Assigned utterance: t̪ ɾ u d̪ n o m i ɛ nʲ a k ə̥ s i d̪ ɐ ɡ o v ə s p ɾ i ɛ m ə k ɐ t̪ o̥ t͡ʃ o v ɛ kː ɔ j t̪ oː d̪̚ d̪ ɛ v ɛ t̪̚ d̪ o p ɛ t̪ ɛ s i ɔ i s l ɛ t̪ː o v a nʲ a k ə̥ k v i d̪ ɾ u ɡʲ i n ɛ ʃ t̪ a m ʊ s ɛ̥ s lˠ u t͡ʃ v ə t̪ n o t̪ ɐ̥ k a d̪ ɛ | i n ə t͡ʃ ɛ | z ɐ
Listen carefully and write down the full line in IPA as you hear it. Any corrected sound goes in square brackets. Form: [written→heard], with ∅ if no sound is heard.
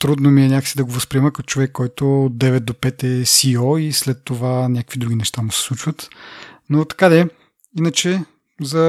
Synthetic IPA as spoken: t̪ ɾ u d̪ n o m i ɛ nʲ a k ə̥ s i d̪ ɐ ɡ o v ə s p ɾ i ɛ m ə k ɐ t̪ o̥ t͡ʃ o v ɛ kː ɔ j t̪ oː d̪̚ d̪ ɛ v ɛ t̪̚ d̪ o p ɛ t̪ ɛ s i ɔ i s l ɛ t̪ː o v a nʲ a k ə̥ k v i d̪ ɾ u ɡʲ i n ɛ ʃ t̪ a m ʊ s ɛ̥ s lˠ u t͡ʃ v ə t̪ n o t̪ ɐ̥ k a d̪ ɛ | i n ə t͡ʃ ɛ | z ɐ